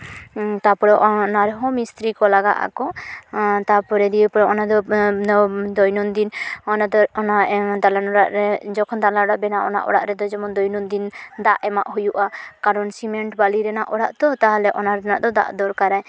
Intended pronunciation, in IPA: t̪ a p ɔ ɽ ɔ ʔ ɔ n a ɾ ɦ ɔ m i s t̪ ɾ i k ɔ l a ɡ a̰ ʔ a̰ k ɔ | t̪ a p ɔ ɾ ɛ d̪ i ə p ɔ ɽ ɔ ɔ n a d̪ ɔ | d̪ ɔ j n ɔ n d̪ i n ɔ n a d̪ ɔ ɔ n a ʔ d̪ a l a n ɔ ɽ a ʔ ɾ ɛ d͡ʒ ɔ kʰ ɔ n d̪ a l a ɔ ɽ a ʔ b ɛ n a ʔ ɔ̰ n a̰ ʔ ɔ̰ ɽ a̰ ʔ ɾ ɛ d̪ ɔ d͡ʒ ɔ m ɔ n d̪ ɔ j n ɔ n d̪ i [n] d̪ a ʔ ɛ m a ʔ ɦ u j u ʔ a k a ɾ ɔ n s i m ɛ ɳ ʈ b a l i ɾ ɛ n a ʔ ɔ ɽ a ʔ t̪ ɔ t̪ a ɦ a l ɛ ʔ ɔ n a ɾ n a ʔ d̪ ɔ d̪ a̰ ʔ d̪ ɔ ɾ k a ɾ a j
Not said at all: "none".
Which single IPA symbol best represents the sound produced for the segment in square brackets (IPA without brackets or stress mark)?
n